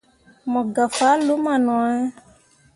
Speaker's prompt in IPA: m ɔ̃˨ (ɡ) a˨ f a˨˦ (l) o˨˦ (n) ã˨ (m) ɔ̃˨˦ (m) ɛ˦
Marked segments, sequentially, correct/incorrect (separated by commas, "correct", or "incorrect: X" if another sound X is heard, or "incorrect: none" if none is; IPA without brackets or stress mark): correct, correct, incorrect: m, incorrect: n, incorrect: none